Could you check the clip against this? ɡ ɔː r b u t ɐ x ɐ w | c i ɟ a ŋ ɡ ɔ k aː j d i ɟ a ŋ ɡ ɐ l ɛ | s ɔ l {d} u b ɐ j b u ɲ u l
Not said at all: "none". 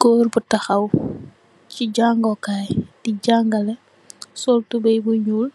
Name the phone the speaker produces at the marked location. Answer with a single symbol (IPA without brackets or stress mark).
t